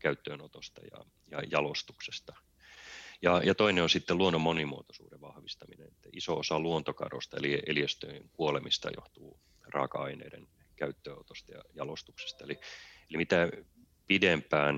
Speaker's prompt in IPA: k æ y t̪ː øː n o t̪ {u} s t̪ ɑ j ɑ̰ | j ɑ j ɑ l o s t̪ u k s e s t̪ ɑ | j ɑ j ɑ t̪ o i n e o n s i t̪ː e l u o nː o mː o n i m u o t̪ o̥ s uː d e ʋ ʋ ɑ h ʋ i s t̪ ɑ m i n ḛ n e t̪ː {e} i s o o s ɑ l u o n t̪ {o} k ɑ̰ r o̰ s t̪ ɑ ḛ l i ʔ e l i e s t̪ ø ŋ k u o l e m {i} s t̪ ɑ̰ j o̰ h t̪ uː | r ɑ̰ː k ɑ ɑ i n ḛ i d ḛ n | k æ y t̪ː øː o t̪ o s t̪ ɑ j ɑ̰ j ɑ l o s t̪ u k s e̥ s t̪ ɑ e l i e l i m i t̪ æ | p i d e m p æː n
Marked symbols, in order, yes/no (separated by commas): no, no, yes, yes